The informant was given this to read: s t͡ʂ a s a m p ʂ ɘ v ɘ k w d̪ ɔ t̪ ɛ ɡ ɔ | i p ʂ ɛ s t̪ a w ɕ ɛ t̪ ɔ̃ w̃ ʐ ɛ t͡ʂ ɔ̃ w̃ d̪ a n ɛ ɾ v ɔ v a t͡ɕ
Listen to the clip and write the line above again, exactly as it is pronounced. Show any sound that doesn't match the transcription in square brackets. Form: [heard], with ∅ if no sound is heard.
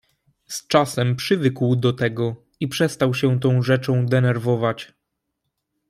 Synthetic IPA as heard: s t͡ʂ a s [ɛ] m p ʂ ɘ v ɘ k w d̪ ɔ t̪ ɛ ɡ ɔ | i p ʂ ɛ s t̪ a w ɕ ɛ t̪ ɔ̃ w̃ ʐ ɛ t͡ʂ ɔ̃ w̃ d̪ [ɛ] n ɛ ɾ v ɔ v a t͡ɕ